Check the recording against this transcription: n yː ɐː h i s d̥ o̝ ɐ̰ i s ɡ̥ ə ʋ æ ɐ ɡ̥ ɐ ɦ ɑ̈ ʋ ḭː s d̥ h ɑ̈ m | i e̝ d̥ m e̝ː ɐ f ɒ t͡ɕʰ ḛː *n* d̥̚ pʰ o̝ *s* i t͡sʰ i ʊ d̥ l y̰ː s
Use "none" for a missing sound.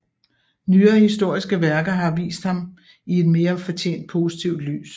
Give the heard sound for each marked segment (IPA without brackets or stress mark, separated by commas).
n, s